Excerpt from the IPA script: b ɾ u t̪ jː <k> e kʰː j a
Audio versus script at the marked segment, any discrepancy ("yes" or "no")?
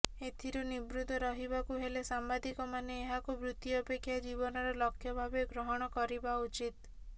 yes